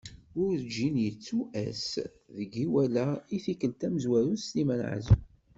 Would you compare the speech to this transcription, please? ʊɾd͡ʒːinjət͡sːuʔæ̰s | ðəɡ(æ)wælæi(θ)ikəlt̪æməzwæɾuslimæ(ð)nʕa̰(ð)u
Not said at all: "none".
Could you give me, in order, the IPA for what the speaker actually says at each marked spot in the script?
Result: i, θ, none, z

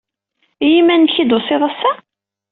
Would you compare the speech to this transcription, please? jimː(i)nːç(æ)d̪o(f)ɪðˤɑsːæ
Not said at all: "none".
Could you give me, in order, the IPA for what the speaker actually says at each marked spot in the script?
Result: æ, i, s

